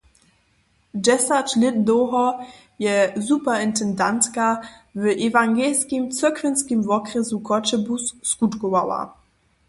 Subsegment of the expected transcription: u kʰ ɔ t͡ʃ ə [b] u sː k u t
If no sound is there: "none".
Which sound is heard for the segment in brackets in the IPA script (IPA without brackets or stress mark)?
b